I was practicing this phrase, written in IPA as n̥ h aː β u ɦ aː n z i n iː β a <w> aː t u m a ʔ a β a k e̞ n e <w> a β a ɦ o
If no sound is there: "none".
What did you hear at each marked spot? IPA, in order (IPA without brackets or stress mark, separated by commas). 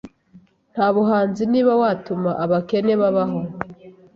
w, β